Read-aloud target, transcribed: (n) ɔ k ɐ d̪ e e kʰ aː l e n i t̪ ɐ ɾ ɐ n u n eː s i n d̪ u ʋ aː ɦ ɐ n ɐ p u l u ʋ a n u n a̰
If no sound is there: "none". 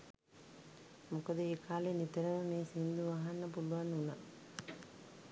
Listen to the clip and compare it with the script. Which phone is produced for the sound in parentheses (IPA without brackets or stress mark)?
m